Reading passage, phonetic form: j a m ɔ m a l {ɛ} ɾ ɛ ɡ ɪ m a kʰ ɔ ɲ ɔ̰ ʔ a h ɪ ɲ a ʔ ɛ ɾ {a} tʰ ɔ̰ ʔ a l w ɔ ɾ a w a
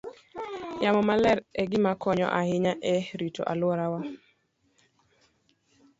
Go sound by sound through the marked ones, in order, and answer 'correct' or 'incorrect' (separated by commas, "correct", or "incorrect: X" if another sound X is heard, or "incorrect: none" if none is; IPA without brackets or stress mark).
correct, incorrect: i